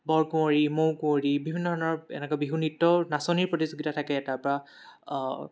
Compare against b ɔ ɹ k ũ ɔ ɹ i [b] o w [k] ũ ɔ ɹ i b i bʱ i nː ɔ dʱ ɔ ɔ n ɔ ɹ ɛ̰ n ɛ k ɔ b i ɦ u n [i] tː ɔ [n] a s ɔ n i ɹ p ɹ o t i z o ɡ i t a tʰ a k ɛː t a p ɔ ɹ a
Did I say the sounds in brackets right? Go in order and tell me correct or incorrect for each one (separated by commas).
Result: incorrect, correct, correct, correct